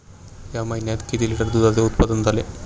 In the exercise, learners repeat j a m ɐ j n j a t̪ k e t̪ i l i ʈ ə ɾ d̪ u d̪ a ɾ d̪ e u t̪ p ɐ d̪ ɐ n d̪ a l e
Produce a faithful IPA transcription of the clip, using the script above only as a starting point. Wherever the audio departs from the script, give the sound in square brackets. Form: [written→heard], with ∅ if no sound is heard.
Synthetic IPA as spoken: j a m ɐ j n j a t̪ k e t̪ i l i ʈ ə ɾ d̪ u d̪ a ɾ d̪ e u t̪ p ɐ d̪ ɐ n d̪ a l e